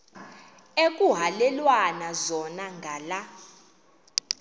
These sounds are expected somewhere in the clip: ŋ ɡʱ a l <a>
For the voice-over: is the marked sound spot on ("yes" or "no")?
yes